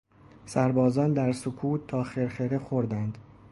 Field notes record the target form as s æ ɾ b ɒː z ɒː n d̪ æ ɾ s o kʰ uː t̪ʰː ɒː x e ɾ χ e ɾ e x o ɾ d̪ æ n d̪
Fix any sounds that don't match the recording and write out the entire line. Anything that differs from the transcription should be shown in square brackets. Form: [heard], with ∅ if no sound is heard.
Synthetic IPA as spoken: s æ ɾ b ɒː z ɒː n d̪ æ ɾ s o kʰ uː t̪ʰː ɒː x e ɾ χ e ɾ e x o ɾ d̪ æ n d̪

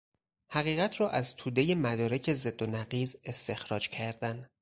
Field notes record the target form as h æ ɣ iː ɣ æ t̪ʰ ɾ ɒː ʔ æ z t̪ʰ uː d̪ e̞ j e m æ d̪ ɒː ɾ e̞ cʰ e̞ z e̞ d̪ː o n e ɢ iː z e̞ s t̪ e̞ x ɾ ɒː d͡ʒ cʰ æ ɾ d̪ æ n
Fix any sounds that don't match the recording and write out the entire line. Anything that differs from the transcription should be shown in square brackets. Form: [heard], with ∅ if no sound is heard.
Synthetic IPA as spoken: h æ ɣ iː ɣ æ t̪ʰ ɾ ɒː ʔ æ z t̪ʰ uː d̪ e̞ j e m æ d̪ ɒː ɾ e̞ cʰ e̞ z e̞ d̪ː o n [æ] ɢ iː z e̞ s t̪ e̞ x ɾ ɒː d͡ʒ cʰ æ ɾ d̪ æ n

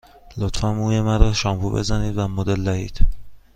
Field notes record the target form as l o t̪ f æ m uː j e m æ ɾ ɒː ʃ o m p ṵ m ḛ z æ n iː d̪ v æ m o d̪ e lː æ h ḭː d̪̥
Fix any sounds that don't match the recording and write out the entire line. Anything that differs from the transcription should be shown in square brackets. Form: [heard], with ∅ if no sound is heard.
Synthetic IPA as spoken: l o t̪ f æ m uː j e m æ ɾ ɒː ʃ [ɒ] m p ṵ [b] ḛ z æ n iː d̪ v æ m o d̪ e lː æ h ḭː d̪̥

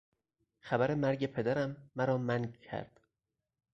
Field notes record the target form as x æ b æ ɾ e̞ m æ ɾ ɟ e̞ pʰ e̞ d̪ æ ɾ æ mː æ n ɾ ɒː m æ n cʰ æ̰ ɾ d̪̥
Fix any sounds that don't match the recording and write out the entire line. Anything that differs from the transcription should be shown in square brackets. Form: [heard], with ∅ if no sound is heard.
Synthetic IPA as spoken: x æ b æ ɾ e̞ m æ ɾ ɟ e̞ pʰ e̞ d̪ æ ɾ æ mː æ [∅] ɾ ɒː m æ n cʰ æ̰ ɾ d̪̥

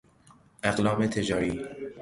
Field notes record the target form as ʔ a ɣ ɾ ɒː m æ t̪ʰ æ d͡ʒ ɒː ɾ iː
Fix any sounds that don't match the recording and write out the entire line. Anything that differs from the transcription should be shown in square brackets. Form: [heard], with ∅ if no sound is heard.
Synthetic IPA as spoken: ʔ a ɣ [l] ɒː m [e] t̪ʰ [e] d͡ʒ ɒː ɾ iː

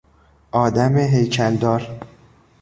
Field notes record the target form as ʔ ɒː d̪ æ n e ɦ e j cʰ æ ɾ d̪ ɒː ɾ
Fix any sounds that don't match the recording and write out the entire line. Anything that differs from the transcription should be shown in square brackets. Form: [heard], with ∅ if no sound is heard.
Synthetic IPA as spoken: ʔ ɒː d̪ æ [m] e ɦ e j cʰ æ [l] d̪ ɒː ɾ

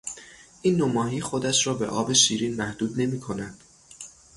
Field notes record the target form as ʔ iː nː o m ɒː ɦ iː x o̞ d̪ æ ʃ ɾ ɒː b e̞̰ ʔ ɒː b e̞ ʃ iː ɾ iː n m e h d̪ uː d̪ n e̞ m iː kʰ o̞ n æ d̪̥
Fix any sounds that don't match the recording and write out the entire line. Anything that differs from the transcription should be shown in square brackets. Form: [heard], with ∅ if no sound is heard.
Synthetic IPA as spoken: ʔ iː nː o m ɒː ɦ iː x o̞ d̪ æ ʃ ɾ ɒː b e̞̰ ʔ ɒː b e̞ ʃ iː ɾ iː n m [æ] h d̪ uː d̪ n e̞ m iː kʰ o̞ n æ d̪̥

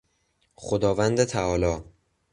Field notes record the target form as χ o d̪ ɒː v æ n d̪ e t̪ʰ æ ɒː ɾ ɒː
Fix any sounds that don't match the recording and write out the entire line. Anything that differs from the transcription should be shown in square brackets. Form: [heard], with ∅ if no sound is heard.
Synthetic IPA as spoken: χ o d̪ ɒː v æ n d̪ e t̪ʰ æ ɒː [l] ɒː

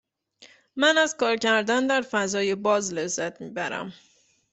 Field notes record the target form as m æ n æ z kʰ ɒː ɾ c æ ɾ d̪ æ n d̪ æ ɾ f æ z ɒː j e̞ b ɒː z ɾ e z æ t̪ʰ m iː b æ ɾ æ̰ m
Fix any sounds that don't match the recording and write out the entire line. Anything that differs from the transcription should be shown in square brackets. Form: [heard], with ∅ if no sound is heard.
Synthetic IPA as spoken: m æ n æ z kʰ ɒː ɾ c æ ɾ d̪ æ n d̪ æ ɾ f æ z ɒː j e̞ b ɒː z [l] e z æ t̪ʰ m iː b æ ɾ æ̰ m

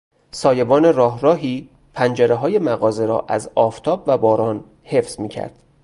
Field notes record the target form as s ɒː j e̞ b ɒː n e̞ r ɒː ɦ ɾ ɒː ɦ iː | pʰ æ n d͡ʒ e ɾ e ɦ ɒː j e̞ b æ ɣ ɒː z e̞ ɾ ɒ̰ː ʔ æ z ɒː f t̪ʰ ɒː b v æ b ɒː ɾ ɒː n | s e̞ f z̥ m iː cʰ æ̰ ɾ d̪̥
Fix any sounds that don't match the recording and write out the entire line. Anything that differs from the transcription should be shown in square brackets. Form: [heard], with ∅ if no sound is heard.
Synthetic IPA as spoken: s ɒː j e̞ b ɒː n e̞ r ɒː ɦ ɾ ɒː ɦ iː | pʰ æ n d͡ʒ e ɾ e ɦ ɒː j e̞ [m] æ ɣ ɒː z e̞ ɾ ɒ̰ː ʔ æ z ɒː f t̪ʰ ɒː b v æ b ɒː ɾ ɒː n | [h] e̞ f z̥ m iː cʰ æ̰ ɾ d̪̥

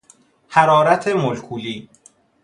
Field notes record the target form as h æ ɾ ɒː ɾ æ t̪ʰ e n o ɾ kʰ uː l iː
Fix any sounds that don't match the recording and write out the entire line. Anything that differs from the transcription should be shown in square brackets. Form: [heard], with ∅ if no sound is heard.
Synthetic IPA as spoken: h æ ɾ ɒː ɾ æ t̪ʰ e [m] o [l] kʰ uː l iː

